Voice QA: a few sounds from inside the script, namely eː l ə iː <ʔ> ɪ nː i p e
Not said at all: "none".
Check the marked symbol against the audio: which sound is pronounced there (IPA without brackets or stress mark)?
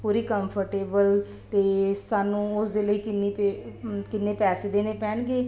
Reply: k